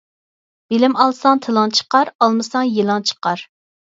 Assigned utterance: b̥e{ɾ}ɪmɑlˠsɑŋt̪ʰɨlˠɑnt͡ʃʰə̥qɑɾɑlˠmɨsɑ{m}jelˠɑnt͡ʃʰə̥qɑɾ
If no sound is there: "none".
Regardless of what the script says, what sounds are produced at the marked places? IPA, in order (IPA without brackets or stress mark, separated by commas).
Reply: l, ŋ